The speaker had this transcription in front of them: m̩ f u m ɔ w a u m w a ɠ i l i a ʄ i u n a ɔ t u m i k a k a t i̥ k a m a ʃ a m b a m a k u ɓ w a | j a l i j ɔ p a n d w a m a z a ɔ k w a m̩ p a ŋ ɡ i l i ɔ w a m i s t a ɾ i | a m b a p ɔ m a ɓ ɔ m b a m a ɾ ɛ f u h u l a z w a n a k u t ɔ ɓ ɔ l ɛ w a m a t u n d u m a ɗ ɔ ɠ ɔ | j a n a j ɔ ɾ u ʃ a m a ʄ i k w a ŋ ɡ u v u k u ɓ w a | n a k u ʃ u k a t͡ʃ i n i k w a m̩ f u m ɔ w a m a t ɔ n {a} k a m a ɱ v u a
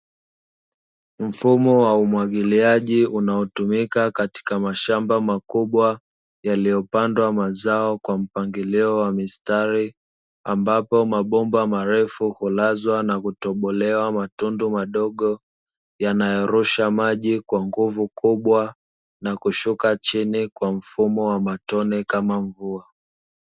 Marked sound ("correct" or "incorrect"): incorrect